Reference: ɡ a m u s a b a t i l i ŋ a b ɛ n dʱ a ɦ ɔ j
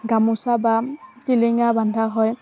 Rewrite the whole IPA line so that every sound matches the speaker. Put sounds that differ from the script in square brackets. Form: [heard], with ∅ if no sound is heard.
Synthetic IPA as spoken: ɡ a m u s a b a t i l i ŋ a b [a] n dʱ a ɦ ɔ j

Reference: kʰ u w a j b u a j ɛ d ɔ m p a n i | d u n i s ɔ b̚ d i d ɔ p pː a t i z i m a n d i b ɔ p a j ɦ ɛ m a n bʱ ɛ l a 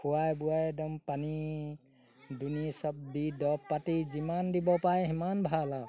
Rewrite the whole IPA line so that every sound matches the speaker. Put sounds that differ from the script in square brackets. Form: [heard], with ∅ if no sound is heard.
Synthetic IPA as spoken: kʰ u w a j b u a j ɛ d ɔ m p a n i | d u n i s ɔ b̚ d i d ɔ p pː a t i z i m a n d i b ɔ p a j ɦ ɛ m a n bʱ [a] l a

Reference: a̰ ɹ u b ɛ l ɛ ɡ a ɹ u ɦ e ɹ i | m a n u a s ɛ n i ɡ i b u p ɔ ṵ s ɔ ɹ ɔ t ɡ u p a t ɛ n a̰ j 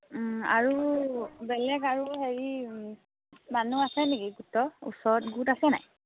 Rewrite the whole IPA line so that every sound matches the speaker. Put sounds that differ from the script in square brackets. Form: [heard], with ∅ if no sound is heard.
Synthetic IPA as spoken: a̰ ɹ u b ɛ l ɛ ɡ a ɹ u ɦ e ɹ i | m a n u a s ɛ n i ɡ i [ɡ] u [t] ɔ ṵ s ɔ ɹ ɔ t ɡ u [t] a [s] ɛ n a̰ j

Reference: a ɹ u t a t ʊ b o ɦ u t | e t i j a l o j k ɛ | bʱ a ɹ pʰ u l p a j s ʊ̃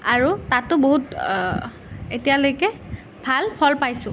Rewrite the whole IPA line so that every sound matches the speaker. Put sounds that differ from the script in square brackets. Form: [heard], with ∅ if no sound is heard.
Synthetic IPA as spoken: a ɹ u t a t ʊ b o ɦ u t | e t i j a l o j k ɛ | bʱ a [l] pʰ [ɔ] l p a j s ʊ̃

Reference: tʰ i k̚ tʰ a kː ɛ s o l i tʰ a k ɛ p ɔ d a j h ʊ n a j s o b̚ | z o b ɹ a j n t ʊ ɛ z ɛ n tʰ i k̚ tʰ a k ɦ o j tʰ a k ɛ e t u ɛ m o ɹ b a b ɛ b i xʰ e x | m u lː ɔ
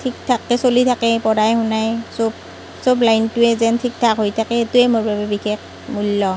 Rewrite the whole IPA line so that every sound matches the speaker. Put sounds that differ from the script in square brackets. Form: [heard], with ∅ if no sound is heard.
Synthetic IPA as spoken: tʰ i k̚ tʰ a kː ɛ s o l i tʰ a k ɛ p ɔ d a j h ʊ n a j s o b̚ | [s] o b [l] a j n t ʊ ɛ z ɛ n tʰ i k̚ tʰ a k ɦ o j tʰ a k ɛ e t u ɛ m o ɹ b a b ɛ b i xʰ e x | m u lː ɔ

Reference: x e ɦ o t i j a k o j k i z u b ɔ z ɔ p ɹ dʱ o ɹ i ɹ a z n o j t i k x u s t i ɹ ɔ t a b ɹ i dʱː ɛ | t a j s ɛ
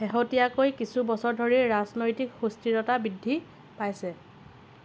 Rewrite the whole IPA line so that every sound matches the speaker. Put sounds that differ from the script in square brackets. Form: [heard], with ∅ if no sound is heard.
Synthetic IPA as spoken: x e ɦ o t i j a k o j k i [s] u b ɔ [s] ɔ [∅] ɹ dʱ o ɹ i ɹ a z n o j t i k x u s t i ɹ ɔ t a b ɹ i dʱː [i] | [p] a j s ɛ

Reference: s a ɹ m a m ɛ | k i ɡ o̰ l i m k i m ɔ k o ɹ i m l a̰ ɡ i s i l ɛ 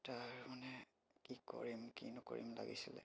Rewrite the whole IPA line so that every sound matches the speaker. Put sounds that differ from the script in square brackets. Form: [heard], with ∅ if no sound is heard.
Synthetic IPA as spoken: [t] a ɹ m a [n] ɛ | k i [k] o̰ [ɹ] i m k i [n] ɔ k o ɹ i m l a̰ ɡ i s i l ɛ

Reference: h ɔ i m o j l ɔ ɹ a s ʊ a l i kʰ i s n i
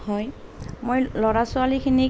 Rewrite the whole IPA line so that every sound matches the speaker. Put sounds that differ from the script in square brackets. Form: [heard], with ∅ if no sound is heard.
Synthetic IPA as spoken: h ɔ [j] m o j l ɔ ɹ a s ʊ a l i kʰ i [∅] n i

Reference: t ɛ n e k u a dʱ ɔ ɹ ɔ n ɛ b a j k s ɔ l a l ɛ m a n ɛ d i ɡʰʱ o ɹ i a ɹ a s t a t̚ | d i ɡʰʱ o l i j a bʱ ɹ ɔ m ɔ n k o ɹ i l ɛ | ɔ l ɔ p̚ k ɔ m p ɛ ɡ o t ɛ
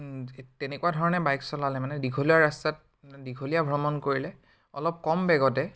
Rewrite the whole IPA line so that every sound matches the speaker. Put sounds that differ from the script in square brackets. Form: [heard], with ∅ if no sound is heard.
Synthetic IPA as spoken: t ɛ n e k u a dʱ ɔ ɹ ɔ n ɛ b a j k s ɔ l a l ɛ m a n ɛ d i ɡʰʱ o [l] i a ɹ a s t a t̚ | d i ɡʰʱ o l i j a bʱ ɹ ɔ m ɔ n k o ɹ i l ɛ | ɔ l ɔ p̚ k ɔ m [b] ɛ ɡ [ɔ] t ɛ

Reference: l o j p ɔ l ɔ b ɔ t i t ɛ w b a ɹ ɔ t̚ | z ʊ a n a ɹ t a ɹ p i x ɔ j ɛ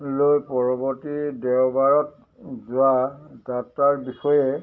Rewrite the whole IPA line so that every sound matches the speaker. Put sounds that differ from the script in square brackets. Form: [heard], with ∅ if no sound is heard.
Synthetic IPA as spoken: l o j p ɔ [ɹ] ɔ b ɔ t i [d] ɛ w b a ɹ ɔ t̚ | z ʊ a [d] a [∅] t a ɹ [b] i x ɔ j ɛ

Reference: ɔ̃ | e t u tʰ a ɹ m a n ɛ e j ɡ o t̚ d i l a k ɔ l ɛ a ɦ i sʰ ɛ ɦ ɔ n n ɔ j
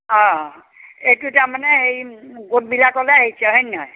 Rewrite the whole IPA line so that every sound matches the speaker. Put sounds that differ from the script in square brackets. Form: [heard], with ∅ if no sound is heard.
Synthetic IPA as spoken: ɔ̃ | e t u [t] a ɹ m a n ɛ e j ɡ o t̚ [b] i l a k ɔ l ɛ a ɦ i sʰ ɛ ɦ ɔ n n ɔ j

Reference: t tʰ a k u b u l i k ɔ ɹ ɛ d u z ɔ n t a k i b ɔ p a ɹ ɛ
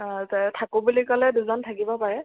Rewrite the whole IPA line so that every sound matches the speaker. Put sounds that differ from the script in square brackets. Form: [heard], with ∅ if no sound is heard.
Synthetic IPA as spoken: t tʰ a k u b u l i k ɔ [l] ɛ d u z ɔ n [tʰ] a k i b ɔ p a ɹ ɛ

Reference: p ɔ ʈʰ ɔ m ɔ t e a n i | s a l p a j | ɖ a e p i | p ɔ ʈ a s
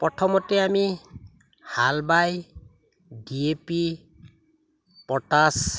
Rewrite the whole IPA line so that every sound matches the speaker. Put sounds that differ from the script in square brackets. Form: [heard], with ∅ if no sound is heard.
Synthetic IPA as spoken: p ɔ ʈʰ ɔ m ɔ t e a [m] i | [h] a l [b] a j | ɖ [i] e p i | p ɔ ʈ a s

